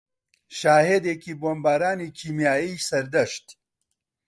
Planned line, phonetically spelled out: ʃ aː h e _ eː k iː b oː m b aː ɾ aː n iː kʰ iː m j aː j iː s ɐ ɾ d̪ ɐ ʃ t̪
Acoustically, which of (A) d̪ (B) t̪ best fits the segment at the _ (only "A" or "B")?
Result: A